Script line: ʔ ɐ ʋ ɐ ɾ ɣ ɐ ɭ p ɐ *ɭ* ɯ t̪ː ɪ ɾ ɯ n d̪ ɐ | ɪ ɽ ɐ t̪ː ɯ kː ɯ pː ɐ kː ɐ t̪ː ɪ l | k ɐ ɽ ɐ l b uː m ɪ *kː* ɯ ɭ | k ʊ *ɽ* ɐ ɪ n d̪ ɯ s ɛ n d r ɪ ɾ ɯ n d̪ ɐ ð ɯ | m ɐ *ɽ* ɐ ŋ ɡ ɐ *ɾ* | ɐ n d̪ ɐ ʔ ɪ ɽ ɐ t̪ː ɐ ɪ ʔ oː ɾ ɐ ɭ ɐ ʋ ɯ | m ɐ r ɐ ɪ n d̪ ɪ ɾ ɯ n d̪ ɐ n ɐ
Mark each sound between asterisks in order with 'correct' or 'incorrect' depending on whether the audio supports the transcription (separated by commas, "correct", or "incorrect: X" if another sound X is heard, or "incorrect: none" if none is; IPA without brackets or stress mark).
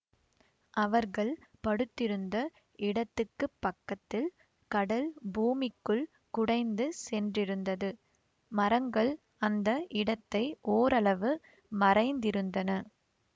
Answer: incorrect: ɽ, correct, correct, incorrect: ɾ, incorrect: ɭ